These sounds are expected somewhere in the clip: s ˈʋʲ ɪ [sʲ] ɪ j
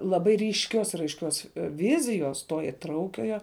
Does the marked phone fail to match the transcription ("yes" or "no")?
yes